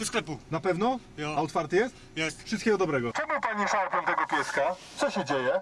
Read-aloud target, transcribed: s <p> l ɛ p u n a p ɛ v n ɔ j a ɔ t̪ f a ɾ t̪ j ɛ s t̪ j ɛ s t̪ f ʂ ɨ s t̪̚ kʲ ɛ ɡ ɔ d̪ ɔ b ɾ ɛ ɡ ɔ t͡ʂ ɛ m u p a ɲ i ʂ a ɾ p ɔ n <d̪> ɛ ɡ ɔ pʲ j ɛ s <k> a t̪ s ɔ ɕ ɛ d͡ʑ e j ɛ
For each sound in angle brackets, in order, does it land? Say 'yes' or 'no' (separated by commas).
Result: no, no, yes